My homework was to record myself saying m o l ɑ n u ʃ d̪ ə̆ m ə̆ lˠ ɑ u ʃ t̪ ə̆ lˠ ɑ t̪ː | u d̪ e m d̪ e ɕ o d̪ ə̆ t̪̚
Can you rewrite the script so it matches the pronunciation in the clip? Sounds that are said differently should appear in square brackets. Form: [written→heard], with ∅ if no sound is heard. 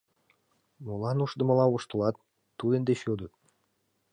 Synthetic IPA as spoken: m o l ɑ n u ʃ d̪ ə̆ m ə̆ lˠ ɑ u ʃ t̪ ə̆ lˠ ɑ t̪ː | u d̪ e [m→n] d̪ e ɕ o d̪ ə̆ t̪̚